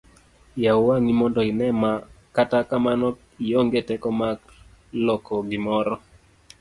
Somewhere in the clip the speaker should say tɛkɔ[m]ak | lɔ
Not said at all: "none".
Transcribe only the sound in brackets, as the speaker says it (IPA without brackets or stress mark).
m